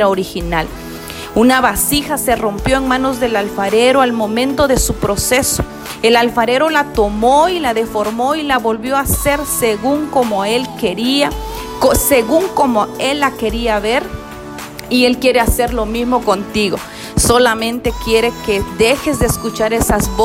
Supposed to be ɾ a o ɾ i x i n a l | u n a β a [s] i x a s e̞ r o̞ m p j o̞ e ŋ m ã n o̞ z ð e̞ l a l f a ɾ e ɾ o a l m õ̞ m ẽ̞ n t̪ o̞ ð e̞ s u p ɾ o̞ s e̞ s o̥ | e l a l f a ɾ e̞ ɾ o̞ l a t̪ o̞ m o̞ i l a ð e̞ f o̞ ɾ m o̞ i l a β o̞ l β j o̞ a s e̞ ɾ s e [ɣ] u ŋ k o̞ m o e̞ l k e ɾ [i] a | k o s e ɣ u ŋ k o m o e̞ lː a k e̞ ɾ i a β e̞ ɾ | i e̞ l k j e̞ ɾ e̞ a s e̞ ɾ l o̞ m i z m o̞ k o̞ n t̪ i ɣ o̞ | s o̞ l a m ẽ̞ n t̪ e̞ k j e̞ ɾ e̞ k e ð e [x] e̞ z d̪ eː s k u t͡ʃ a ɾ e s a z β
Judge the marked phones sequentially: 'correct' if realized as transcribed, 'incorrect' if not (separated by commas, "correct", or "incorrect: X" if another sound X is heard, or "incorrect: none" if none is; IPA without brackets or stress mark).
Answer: correct, correct, correct, correct